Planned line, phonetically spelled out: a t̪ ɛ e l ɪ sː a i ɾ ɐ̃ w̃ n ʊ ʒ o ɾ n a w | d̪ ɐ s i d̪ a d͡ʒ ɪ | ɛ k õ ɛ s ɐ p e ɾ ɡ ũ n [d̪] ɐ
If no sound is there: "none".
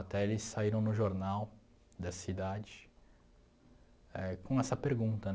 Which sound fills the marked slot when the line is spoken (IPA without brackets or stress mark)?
t̪